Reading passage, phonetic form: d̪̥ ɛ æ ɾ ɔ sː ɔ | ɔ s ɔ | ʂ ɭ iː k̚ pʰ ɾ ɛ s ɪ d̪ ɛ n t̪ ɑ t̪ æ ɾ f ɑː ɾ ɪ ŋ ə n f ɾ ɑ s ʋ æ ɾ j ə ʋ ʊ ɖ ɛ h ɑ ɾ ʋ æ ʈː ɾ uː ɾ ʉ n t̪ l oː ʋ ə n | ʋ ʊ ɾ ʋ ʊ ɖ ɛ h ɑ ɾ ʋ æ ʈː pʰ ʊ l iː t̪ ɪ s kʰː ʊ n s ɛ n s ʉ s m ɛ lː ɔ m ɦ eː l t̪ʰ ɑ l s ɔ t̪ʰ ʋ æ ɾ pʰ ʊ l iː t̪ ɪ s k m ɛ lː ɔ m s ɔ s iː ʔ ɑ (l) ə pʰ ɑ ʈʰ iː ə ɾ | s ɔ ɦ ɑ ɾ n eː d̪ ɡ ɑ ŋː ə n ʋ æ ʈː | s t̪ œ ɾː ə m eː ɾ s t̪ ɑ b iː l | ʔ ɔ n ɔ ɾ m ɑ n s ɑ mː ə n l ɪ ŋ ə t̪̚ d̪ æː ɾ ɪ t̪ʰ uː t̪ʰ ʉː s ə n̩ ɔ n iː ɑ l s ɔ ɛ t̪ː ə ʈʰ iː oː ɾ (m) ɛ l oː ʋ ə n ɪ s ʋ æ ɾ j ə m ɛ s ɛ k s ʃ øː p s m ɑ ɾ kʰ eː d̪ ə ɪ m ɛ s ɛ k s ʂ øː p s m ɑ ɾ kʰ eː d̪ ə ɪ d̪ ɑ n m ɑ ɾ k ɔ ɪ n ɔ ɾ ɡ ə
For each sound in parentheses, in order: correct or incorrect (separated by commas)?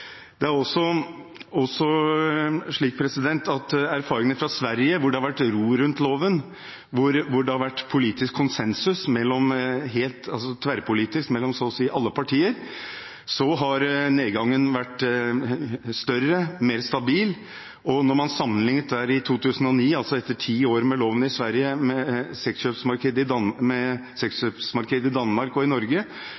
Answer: incorrect, correct